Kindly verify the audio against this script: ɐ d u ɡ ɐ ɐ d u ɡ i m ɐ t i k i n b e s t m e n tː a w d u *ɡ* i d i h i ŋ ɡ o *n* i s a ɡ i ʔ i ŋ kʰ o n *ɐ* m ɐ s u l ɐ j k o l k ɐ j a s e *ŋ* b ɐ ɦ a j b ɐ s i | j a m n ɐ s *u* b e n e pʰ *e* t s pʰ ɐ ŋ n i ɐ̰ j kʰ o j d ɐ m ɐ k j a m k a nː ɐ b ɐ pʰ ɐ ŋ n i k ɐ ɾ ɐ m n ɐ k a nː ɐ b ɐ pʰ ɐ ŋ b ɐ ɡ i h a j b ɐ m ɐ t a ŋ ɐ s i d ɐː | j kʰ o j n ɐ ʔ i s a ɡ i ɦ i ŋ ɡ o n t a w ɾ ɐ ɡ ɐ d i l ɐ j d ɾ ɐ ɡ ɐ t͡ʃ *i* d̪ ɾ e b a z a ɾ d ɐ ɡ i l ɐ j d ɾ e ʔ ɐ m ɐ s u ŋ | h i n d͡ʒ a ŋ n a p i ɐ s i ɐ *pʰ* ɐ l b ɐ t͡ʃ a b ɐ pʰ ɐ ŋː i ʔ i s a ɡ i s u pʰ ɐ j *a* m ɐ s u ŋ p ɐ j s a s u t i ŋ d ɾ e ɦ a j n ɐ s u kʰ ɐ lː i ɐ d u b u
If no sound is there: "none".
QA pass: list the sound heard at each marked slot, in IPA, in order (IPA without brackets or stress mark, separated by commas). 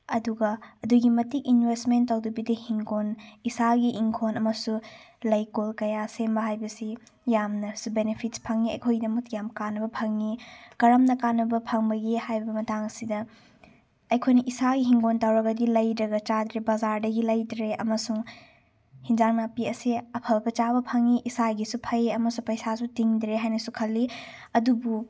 b, n, ɐ, m, u, i, a, pʰ, ɐ